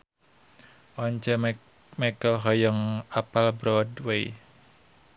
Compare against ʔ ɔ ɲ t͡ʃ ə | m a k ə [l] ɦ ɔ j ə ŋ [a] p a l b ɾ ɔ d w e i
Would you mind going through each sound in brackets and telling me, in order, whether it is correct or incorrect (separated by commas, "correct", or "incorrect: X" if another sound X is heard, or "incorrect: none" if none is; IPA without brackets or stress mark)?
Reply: correct, correct